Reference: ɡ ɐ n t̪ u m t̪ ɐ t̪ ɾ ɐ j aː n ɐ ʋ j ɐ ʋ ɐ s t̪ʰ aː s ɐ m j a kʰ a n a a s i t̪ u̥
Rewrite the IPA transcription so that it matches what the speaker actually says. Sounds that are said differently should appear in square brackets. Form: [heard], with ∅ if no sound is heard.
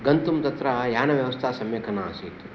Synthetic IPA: ɡ ɐ n t̪ u m t̪ ɐ t̪ ɾ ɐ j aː n ɐ ʋ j ɐ ʋ ɐ s t̪ʰ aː s ɐ m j [ɐ] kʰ [ɐ] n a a s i t̪ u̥